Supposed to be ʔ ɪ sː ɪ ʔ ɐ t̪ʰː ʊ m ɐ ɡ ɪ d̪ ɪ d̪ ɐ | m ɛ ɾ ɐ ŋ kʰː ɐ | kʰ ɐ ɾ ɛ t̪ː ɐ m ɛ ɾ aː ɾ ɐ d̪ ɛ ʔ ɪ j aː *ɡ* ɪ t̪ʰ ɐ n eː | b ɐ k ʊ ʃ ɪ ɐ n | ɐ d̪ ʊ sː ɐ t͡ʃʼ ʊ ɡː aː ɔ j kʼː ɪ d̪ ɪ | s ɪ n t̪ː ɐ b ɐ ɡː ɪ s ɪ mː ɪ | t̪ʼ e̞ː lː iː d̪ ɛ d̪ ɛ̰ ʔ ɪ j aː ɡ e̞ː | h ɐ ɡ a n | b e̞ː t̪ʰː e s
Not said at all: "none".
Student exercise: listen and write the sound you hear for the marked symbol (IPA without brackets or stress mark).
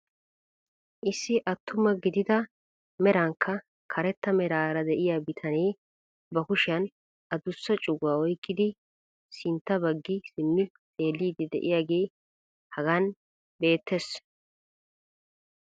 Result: b